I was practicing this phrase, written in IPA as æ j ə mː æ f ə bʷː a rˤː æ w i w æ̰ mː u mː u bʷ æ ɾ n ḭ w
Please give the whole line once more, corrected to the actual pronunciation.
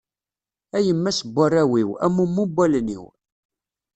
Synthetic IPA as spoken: æ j ə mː æ s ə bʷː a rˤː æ w i w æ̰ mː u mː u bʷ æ l n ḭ w

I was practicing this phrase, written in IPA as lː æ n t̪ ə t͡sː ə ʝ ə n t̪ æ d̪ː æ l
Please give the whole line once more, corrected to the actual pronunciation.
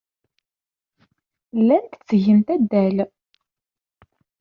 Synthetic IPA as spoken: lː æ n t̪ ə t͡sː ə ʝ ə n t̪ æ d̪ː æ l

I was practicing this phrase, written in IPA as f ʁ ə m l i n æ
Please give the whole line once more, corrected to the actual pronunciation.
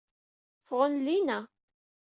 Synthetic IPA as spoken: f ʁ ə n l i n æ

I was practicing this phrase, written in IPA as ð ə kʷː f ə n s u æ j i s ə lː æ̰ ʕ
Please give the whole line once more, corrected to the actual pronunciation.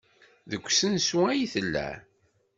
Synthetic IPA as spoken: ð ə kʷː s ə n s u æ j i θ ə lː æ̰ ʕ

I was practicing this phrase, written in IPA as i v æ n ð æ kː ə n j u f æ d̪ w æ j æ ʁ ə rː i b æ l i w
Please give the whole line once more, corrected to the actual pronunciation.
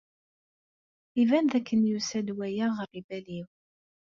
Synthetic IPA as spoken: i v æ n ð æ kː ə n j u s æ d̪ w æ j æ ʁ ə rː i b æ l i w

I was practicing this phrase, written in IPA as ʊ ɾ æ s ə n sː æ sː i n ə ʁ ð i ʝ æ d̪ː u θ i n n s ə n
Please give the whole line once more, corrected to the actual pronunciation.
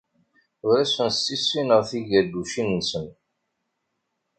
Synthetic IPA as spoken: ʊ ɾ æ s ə n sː i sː i n ə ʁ θ i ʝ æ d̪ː u ʃ i n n s ə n

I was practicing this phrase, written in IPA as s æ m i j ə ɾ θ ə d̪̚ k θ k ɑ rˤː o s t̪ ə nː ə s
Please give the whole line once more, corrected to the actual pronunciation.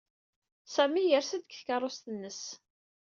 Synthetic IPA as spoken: s æ m i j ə ɾ s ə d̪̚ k θ k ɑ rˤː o s t̪ ə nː ə s

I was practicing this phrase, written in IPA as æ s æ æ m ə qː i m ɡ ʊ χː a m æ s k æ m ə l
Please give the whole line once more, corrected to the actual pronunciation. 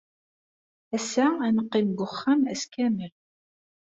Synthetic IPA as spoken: æ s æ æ n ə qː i m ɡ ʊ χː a m æ s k æ m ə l

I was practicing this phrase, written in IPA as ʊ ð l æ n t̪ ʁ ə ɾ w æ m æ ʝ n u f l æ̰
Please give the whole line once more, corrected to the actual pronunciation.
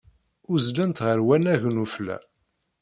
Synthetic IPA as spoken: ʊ z l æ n t̪ ʁ ə ɾ w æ n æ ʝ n u f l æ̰

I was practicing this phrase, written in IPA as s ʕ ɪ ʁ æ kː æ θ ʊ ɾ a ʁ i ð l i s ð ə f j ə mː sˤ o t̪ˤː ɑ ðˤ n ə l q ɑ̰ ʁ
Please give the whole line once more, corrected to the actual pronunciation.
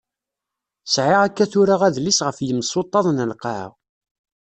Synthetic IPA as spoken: s ʕ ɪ ʁ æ kː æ θ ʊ ɾ a ʁ æ ð l i s ʁ ə f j ə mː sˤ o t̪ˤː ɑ ðˤ n ə l q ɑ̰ ʁ

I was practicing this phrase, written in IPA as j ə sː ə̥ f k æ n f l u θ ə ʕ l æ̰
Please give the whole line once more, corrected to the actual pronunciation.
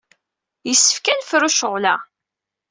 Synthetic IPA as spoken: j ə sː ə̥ f k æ n f ɾ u ʃ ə ʁ l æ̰

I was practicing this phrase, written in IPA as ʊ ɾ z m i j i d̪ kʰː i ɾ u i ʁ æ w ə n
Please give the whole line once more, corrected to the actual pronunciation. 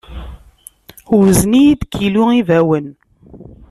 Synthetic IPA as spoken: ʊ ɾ z n i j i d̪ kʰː i l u i v æ w ə n

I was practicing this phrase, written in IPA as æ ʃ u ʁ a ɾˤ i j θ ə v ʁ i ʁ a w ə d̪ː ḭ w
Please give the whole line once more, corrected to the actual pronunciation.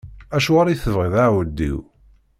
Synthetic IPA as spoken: æ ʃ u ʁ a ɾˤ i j θ ə v ʁ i ð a w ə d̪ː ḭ w

